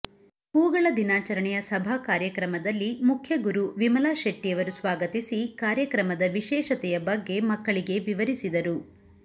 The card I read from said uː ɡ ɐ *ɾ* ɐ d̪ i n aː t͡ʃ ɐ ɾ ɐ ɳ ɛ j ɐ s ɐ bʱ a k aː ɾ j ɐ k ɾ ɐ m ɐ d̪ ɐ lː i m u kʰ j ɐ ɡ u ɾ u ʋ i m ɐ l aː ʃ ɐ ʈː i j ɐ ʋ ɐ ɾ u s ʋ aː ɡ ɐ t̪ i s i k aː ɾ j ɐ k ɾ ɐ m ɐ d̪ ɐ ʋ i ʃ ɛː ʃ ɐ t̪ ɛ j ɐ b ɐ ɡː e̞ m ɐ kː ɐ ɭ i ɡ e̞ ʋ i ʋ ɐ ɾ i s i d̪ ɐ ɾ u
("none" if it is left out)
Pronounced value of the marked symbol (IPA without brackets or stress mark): ɭ